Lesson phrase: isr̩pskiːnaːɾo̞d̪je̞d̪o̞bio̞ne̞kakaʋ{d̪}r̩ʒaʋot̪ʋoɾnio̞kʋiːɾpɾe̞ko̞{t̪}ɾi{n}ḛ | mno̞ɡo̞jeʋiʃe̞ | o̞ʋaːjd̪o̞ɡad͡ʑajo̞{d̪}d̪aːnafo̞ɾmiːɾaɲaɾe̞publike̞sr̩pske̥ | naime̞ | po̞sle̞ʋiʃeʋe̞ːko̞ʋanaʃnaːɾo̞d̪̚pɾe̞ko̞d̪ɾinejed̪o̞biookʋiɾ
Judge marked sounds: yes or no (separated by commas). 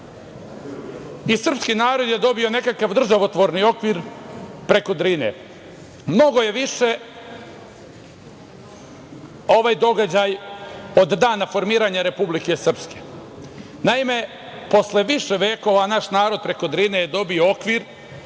yes, no, yes, yes